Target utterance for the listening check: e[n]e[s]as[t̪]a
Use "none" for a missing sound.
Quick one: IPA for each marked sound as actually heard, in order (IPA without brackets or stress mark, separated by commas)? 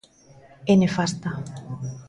n, f, t̪